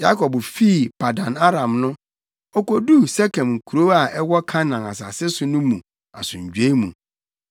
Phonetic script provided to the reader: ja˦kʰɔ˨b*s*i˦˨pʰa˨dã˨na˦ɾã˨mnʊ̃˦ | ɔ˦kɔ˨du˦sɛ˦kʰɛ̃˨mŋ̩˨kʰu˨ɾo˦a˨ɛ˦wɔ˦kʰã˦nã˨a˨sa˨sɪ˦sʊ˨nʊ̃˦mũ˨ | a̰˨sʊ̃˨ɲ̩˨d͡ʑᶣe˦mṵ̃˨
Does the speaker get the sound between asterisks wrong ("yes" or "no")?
yes